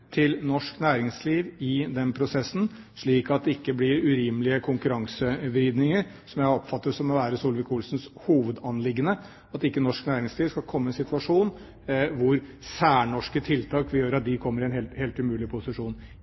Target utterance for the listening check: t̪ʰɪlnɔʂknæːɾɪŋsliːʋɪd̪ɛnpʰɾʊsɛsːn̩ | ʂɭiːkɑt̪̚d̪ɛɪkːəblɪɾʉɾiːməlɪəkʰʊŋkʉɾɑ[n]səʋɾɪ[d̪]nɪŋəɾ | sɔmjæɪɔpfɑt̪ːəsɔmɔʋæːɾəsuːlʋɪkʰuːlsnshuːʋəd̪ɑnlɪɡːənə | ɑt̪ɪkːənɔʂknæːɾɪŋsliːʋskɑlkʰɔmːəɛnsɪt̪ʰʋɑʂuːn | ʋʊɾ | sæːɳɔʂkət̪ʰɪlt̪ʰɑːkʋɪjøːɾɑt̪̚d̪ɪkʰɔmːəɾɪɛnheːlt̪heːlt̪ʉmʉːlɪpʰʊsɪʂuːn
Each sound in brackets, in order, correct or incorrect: incorrect, correct

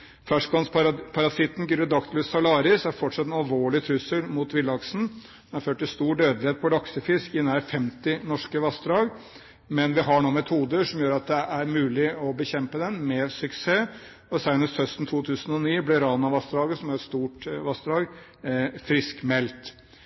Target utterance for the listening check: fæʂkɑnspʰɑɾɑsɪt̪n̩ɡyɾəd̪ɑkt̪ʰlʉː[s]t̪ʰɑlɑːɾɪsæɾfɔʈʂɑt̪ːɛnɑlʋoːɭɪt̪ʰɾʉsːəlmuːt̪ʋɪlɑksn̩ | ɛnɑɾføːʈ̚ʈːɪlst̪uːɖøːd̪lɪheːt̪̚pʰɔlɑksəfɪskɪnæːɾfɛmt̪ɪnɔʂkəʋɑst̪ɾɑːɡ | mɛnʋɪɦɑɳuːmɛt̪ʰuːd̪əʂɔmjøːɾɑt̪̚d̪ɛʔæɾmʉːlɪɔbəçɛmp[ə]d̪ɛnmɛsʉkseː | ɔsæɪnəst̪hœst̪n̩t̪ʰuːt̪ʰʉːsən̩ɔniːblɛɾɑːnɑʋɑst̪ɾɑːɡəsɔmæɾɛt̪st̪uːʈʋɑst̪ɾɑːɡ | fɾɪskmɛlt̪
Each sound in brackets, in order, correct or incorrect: correct, correct

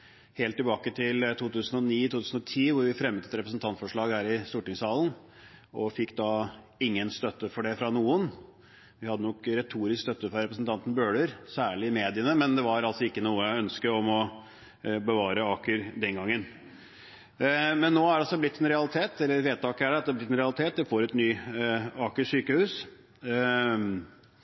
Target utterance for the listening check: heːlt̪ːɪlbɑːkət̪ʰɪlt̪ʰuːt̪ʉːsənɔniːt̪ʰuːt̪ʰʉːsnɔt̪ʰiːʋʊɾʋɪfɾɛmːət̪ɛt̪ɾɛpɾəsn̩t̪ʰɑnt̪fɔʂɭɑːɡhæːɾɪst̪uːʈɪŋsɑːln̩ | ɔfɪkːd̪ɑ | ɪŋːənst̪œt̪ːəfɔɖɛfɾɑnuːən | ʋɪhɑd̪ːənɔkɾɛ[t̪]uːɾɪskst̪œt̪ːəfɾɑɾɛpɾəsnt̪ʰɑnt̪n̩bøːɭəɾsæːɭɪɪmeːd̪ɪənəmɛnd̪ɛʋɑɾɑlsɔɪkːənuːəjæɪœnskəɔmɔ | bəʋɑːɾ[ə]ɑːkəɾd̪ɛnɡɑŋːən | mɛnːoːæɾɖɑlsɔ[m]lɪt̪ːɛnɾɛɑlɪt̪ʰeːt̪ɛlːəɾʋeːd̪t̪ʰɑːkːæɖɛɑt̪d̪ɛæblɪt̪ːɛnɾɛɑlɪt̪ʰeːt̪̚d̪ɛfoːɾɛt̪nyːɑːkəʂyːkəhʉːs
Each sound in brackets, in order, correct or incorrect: incorrect, correct, incorrect

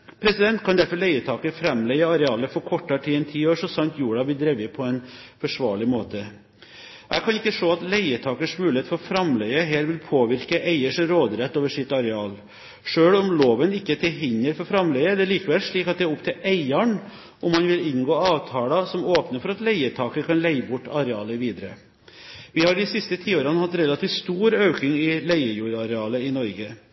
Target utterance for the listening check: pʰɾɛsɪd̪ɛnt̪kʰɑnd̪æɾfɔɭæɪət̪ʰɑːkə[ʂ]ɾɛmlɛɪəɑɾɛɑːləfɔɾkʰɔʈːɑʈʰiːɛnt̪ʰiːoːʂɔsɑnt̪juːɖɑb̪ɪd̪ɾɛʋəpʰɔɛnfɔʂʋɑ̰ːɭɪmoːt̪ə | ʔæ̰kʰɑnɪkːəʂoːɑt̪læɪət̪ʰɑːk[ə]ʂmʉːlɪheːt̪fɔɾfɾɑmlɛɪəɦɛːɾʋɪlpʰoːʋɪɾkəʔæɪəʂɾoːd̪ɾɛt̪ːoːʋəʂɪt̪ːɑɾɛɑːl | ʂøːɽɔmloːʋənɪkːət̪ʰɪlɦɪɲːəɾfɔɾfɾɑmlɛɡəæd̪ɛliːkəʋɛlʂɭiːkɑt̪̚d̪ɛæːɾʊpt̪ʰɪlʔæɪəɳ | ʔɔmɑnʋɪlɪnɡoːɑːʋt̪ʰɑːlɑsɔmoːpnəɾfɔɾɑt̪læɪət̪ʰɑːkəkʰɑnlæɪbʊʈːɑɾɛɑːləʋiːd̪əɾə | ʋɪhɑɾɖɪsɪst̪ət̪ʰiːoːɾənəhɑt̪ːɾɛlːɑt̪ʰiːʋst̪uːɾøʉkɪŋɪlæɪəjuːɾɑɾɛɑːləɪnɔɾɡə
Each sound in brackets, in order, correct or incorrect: incorrect, correct

